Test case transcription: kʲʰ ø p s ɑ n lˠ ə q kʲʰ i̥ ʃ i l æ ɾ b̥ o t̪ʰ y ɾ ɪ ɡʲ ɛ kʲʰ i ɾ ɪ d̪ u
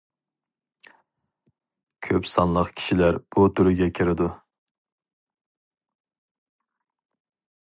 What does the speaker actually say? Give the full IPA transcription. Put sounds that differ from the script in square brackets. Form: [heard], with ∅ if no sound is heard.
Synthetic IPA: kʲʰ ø p s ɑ n lˠ ə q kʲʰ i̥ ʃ i l æ ɾ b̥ [u] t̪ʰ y ɾ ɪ ɡʲ ɛ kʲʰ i ɾ ɪ d̪ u